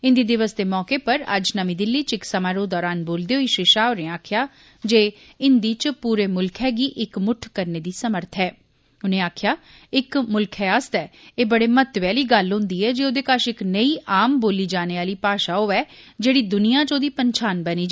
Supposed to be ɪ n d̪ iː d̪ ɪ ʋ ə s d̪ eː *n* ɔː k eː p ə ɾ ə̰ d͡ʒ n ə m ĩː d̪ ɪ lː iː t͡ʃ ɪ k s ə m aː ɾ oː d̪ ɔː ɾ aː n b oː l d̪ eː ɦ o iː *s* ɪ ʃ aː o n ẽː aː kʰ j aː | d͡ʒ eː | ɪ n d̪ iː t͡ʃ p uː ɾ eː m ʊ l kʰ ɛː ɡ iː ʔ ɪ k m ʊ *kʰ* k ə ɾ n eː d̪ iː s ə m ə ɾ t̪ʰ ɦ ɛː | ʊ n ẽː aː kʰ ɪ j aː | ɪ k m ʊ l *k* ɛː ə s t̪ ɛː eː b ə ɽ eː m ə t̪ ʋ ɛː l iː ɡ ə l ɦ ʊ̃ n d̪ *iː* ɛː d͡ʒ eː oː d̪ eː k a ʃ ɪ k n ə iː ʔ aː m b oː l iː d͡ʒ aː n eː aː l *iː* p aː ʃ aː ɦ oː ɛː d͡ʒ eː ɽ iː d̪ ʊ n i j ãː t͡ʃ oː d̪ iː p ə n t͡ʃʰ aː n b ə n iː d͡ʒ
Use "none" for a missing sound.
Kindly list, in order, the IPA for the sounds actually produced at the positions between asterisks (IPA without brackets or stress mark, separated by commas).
m, ʃ, ʈʰ, kʰ, iː, iː